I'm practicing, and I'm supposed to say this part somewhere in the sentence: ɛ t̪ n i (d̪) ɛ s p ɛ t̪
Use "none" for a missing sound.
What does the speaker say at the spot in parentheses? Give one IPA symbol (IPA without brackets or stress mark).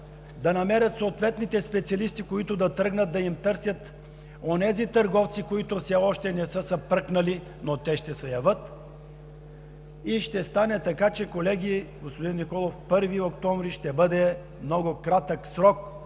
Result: t̪